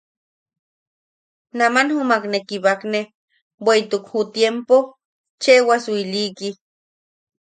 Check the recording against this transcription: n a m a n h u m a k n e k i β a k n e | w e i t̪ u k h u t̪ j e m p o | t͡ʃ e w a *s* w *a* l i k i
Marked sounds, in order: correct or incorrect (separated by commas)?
correct, incorrect